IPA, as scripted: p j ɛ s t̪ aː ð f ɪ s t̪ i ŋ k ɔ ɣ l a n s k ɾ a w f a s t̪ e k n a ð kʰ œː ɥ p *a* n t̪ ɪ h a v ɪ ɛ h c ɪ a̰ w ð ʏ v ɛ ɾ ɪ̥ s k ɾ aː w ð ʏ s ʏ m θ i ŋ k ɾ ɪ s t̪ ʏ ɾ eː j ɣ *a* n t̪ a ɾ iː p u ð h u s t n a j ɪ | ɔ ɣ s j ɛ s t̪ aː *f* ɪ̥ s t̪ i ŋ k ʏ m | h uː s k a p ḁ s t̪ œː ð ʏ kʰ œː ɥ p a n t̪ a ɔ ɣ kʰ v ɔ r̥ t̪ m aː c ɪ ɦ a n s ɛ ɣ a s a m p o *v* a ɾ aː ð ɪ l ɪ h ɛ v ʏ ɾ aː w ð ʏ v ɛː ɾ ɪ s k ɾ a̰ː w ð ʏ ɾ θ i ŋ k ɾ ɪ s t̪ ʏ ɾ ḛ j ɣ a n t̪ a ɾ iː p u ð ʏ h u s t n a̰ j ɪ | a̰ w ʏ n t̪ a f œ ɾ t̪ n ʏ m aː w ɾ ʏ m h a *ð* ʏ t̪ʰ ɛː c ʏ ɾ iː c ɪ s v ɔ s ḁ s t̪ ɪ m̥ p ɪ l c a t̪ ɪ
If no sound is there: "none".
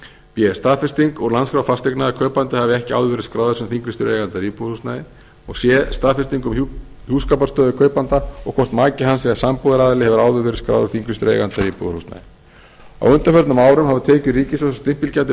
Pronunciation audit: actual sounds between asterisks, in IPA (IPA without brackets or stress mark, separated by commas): a, a, f, ð, v